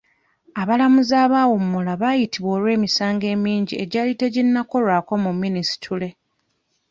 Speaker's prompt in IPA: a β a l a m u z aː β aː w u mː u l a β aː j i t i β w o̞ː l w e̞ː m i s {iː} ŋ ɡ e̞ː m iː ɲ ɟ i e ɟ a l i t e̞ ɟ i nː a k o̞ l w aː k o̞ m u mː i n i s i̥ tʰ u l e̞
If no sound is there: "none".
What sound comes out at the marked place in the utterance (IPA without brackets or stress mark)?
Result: aː